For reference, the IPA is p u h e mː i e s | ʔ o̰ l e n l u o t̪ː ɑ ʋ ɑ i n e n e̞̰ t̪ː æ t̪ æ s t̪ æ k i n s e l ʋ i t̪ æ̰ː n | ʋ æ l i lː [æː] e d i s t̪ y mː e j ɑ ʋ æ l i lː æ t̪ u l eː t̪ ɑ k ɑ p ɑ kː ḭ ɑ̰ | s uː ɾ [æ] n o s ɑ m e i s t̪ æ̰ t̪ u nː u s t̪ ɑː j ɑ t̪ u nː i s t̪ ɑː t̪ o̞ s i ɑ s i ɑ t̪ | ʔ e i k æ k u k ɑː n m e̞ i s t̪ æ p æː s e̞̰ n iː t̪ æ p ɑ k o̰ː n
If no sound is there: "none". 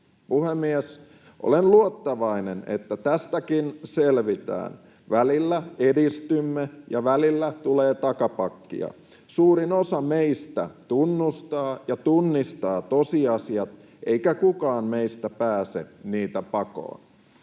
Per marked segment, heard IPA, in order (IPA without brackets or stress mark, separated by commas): æ, i